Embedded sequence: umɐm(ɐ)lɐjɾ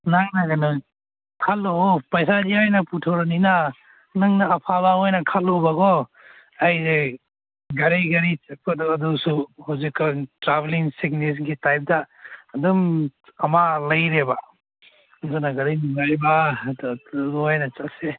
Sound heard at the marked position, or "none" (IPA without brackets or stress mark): a